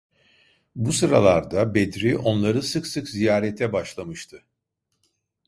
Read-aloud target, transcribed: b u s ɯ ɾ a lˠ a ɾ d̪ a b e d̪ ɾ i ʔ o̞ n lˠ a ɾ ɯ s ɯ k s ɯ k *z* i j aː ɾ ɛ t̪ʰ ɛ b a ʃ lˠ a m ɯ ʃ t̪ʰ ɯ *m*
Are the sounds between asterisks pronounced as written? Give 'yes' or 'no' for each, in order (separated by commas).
yes, no